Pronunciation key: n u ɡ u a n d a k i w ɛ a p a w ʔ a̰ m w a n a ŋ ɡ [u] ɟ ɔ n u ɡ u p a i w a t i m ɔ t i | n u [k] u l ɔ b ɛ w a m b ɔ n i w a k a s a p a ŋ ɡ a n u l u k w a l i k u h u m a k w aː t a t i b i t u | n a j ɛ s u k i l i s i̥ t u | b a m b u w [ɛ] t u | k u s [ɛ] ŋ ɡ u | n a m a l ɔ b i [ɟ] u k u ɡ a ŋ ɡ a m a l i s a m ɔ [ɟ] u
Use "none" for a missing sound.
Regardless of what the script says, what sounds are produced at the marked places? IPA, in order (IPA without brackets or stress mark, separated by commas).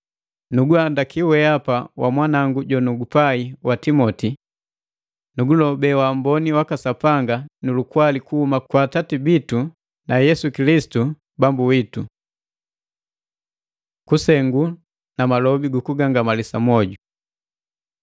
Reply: u, ɡ, i, ɛ, ɡ, ɟ